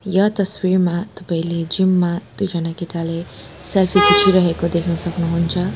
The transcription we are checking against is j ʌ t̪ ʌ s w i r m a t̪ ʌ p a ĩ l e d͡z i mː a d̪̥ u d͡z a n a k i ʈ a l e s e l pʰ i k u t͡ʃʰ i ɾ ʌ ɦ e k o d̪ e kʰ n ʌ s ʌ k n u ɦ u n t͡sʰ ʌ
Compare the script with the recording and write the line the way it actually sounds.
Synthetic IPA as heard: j ʌ t̪ ʌ s w i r m a t̪ ʌ p a ĩ l e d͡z i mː a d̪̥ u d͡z ʌ n a k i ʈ a l e s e l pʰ i k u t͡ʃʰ i ɾ ʌ ɦ e k o d̪ e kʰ n ʌ s ʌ k n u ɦ u n t͡sʰ ʌ